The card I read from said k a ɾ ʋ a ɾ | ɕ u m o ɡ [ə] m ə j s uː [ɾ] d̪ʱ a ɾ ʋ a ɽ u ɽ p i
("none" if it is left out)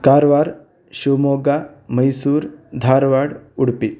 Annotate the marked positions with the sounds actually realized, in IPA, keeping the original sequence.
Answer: a, ɾ

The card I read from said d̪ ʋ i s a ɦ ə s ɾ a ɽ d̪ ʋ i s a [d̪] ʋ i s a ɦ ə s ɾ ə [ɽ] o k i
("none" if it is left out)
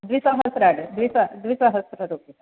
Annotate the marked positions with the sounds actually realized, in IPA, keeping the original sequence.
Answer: d̪, ɾ

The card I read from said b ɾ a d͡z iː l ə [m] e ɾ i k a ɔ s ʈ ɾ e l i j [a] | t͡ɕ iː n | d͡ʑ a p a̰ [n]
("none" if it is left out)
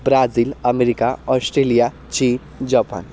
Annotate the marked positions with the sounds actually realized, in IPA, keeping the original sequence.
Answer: m, a, n

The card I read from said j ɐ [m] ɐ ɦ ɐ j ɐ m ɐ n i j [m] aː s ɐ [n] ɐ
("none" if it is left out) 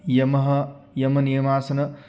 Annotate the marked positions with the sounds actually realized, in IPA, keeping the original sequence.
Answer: m, m, n

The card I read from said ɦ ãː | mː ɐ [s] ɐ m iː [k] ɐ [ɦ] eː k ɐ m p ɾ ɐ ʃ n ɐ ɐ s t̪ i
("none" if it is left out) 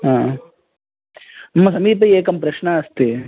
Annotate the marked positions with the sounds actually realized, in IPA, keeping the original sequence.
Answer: s, p, none

